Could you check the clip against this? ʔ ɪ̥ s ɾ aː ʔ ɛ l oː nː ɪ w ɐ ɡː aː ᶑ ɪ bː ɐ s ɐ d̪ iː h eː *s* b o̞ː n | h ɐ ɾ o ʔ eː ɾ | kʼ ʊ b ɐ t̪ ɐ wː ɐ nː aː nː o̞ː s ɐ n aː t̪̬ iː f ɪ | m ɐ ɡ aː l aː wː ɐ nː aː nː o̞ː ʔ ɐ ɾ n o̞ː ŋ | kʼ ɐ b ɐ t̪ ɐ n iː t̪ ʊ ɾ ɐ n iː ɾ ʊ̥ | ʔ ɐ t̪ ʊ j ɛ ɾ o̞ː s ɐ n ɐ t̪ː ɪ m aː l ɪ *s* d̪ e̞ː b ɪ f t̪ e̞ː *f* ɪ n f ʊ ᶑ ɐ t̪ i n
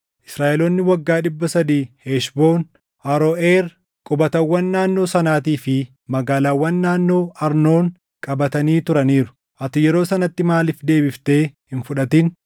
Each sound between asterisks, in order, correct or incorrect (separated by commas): incorrect, incorrect, incorrect